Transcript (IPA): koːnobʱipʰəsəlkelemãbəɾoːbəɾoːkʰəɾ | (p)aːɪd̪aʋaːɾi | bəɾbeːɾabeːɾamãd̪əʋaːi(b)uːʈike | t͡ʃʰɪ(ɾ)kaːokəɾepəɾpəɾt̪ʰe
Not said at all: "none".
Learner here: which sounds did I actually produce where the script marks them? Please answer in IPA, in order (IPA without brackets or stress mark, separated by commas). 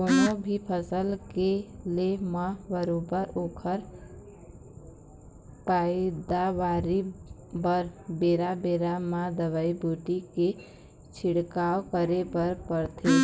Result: p, b, ɽ